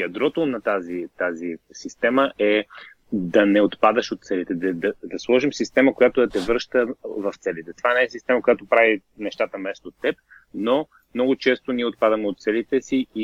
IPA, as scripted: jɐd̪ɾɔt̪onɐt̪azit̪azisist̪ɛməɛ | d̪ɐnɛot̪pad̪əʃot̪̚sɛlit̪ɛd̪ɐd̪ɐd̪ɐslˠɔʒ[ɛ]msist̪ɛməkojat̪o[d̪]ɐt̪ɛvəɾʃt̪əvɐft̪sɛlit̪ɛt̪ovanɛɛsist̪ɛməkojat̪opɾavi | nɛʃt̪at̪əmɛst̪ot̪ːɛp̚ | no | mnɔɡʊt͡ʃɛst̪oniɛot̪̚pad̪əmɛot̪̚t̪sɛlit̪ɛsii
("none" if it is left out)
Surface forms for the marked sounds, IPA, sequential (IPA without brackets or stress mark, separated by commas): i, d̪